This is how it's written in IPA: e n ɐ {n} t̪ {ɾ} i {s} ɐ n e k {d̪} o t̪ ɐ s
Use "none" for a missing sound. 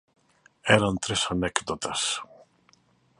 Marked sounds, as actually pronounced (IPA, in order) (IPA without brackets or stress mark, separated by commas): n, ɾ, s, d̪